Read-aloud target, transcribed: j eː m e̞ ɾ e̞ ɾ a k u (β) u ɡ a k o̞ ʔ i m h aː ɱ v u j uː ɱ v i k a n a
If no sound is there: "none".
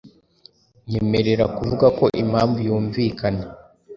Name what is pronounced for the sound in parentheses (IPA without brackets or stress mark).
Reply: v